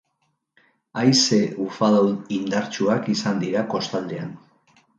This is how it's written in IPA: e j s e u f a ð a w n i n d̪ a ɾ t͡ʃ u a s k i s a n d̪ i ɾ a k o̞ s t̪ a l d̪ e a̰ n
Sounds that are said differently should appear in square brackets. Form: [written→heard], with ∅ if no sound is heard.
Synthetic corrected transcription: [e→a] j s e u f a ð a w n i n d̪ a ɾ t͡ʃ u a [s→∅] k i s a n d̪ i ɾ a k o̞ s t̪ a l d̪ e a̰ n